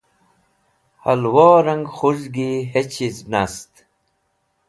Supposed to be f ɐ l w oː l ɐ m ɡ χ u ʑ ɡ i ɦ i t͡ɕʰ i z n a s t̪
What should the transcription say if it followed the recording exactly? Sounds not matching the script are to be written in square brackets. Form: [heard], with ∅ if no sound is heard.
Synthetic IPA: [h] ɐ l w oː [ɾ] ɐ [ŋ] ɡ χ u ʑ ɡ i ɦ [e] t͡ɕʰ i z n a s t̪